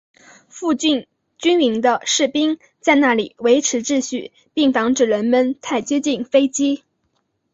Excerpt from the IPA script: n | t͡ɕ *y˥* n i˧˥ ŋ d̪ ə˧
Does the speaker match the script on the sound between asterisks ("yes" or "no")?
yes